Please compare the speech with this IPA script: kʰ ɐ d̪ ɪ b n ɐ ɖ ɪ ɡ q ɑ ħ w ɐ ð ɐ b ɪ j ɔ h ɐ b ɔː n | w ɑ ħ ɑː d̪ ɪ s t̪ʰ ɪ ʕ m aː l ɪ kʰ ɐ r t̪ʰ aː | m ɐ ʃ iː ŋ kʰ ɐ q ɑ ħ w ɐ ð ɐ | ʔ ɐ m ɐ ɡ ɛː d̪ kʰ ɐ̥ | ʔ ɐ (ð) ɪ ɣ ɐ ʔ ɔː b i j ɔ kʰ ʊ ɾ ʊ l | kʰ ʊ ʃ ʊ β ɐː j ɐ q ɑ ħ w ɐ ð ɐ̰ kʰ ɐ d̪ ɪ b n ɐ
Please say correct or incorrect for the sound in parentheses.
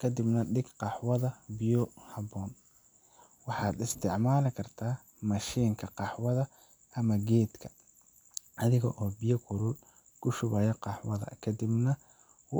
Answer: correct